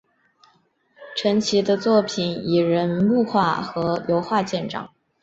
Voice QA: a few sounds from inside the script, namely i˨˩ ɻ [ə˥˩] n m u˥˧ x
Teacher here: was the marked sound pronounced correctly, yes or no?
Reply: no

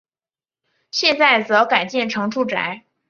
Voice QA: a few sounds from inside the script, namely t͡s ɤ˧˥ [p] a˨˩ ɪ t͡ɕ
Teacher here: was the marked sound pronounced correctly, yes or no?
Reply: no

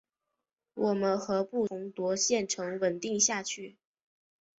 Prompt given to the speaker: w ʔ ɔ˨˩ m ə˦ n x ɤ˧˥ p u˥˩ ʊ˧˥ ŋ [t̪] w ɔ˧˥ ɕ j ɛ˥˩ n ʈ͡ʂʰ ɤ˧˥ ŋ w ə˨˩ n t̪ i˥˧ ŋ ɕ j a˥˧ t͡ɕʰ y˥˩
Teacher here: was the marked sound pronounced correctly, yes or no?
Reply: yes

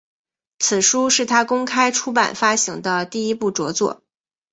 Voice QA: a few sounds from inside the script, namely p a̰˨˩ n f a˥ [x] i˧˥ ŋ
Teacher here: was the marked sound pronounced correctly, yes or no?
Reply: no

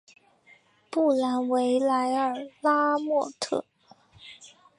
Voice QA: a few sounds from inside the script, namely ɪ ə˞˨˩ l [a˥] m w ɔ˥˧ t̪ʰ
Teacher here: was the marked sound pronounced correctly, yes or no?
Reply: yes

